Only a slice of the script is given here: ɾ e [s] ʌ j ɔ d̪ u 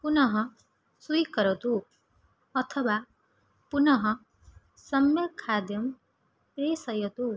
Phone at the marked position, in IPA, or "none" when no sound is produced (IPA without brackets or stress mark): s